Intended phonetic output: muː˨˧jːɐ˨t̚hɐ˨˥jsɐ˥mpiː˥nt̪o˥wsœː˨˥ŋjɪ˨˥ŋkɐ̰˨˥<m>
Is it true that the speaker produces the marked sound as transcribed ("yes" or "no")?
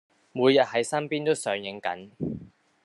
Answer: no